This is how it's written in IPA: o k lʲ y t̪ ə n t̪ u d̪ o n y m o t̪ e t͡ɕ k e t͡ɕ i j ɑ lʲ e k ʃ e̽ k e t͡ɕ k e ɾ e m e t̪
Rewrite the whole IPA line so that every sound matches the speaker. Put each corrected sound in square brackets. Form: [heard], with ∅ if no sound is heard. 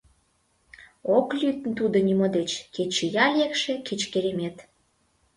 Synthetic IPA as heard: o k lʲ y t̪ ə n t̪ u d̪ o n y m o [d̪] e t͡ɕ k e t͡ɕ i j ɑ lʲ e k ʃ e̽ k e t͡ɕ k e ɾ e m e t̪